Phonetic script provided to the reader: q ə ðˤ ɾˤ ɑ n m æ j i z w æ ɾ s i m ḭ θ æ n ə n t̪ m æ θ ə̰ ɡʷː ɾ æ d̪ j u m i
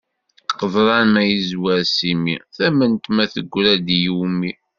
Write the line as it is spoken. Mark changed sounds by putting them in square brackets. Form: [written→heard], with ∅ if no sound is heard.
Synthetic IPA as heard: q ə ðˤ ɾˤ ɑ n m æ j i z w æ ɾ s i m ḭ θ æ [n→m] ə n t̪ m æ θ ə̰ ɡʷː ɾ æ d̪ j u m i